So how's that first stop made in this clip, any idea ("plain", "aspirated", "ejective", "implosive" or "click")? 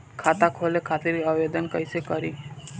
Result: aspirated